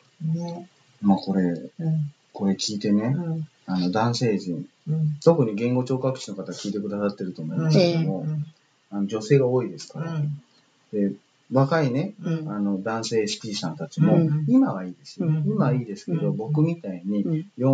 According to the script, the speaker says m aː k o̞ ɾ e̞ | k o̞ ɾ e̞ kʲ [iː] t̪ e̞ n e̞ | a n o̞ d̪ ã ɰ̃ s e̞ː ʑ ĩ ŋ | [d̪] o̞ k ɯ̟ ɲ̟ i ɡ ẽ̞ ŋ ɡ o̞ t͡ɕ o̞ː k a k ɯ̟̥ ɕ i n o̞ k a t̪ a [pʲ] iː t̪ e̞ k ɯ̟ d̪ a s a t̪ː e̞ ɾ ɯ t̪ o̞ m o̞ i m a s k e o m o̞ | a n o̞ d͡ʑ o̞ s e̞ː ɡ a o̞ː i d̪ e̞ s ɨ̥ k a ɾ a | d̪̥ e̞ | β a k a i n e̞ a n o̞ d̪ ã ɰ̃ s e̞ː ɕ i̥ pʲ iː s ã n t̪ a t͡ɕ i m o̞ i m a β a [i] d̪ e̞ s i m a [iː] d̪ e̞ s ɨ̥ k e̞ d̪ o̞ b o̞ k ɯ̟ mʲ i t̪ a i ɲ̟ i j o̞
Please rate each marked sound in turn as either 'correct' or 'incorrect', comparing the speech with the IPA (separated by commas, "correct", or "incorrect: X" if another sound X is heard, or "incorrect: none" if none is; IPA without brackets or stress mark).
correct, incorrect: t̪, incorrect: kʲ, incorrect: iː, correct